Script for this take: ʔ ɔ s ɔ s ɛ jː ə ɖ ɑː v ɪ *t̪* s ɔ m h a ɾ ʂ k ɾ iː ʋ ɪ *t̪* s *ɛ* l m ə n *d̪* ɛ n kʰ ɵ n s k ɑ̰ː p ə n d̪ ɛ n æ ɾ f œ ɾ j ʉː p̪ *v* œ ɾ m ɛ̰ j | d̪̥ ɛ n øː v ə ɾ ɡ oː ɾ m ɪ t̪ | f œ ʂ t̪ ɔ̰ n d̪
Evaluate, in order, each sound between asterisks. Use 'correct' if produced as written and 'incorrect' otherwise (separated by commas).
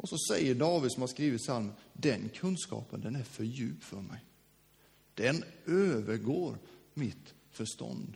incorrect, correct, incorrect, correct, incorrect